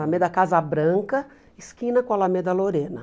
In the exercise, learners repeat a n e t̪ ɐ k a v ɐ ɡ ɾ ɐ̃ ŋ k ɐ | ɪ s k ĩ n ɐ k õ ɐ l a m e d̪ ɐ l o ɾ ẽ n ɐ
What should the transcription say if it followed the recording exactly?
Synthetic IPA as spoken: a m e d̪ ɐ k a z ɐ b ɾ ɐ̃ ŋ k ɐ | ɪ s k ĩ n ɐ k õ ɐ l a m e d̪ ɐ l o ɾ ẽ n ɐ